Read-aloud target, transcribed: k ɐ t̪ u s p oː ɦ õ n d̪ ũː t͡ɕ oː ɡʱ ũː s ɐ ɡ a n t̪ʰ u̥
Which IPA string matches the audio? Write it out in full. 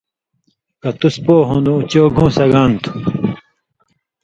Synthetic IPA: k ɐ t̪ u s p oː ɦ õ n d̪ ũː t͡ɕ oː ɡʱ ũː s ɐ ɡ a n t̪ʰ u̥